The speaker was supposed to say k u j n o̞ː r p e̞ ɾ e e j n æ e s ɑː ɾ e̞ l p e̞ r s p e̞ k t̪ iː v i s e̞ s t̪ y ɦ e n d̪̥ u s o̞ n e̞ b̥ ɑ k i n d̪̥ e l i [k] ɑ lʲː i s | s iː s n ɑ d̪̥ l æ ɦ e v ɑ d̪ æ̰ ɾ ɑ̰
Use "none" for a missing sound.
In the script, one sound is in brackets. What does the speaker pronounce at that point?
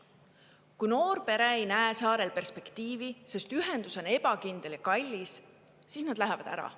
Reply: k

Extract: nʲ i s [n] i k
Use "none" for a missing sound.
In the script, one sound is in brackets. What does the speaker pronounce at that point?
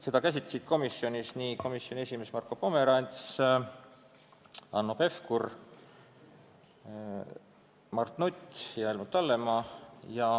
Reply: n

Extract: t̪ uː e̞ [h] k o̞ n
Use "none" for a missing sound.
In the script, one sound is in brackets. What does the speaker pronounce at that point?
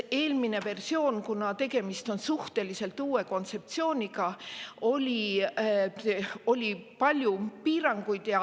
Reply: none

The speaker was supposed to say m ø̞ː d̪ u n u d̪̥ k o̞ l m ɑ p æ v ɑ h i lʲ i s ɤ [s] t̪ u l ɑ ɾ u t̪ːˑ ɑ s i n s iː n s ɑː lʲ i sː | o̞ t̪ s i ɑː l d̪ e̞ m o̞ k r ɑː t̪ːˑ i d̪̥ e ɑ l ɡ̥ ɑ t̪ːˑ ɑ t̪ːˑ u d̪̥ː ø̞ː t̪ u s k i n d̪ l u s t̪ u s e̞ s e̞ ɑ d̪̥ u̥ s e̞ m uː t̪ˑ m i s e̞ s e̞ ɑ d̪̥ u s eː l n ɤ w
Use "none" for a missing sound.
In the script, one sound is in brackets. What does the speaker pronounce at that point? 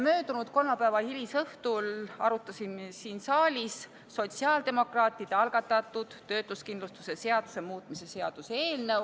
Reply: h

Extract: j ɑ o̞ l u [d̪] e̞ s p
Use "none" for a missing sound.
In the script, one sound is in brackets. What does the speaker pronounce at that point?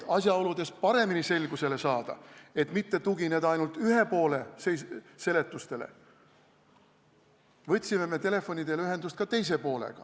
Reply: d̪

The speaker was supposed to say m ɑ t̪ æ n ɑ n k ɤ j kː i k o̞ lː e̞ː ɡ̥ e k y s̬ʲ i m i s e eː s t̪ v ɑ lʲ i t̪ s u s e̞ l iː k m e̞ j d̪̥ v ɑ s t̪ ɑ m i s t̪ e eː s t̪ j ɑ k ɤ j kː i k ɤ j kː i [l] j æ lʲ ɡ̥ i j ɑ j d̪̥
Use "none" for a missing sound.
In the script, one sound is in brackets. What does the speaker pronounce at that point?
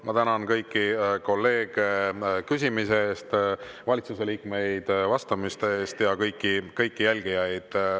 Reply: none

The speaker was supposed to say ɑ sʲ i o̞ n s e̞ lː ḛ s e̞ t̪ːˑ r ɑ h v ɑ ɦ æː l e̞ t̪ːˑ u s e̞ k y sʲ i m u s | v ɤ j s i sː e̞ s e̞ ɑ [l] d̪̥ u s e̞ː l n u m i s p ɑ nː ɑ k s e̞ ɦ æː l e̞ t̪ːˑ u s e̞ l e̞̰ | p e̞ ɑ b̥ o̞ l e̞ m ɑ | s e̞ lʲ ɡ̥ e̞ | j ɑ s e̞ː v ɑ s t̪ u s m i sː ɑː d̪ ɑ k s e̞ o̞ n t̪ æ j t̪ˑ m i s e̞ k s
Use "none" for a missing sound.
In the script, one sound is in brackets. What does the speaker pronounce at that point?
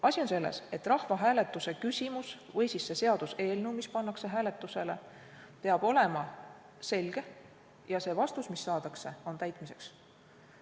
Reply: none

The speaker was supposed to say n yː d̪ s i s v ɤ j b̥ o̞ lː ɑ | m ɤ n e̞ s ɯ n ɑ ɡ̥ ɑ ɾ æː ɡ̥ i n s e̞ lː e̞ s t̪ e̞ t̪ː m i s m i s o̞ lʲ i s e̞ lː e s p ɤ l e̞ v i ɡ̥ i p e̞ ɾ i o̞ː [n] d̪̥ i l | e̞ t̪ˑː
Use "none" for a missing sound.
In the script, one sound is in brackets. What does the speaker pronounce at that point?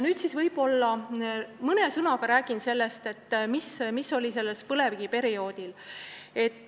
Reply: none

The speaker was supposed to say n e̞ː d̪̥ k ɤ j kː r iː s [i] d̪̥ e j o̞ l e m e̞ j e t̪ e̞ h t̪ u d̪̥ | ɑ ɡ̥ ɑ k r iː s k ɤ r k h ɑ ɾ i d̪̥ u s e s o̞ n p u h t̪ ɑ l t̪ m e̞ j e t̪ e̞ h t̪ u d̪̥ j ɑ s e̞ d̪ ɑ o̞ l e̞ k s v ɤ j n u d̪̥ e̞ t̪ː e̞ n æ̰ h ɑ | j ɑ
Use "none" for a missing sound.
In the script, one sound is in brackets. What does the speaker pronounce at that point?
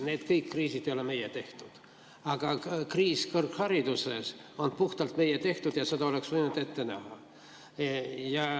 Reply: i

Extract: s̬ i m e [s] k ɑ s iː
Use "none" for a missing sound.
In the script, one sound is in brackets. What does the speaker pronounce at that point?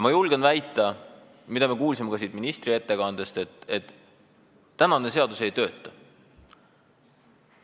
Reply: none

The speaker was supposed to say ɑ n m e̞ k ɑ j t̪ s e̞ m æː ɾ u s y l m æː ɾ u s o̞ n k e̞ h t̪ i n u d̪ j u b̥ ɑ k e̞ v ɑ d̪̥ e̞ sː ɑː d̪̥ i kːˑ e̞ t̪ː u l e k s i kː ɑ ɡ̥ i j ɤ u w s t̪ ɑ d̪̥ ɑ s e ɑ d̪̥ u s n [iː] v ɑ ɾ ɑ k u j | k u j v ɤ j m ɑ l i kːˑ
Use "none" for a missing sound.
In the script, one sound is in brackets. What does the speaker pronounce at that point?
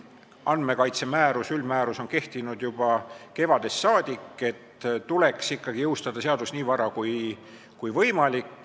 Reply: iː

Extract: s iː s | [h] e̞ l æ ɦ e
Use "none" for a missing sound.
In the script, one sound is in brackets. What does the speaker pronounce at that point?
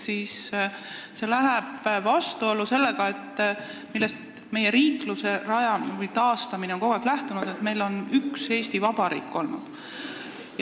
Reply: s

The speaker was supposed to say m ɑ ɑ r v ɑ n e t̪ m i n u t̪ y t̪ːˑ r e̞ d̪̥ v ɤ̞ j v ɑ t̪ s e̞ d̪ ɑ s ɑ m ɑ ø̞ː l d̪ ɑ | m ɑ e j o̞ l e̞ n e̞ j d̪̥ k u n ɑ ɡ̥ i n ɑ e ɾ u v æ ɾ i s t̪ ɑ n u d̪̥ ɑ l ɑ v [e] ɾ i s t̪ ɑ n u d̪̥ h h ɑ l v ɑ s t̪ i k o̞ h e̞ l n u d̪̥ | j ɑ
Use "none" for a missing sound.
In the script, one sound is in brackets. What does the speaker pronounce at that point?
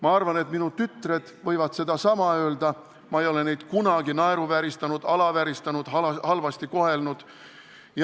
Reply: æ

